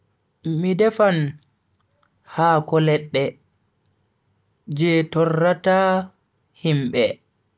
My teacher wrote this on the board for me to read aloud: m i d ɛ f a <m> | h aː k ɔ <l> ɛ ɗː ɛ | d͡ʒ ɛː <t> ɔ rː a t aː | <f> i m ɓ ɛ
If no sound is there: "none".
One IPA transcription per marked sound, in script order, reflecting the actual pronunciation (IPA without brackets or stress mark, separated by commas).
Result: n, l, t, h